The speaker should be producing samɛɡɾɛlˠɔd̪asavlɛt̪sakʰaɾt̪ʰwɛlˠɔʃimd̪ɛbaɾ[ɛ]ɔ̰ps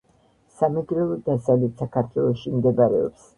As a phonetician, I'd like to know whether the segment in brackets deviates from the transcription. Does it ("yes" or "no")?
no